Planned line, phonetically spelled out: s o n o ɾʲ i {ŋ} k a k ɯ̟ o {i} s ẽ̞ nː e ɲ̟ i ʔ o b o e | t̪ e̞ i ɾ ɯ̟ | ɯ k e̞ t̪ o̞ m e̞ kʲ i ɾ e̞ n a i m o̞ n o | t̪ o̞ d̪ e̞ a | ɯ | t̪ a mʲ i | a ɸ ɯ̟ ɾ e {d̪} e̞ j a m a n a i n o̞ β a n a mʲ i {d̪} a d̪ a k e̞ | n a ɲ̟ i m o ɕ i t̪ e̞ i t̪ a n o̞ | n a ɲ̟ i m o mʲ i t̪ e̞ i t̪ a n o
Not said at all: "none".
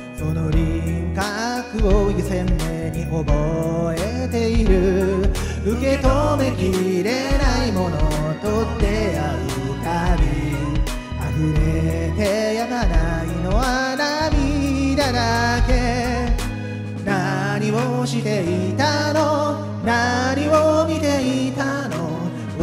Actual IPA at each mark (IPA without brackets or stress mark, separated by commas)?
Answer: ŋ, i, t̪, d̪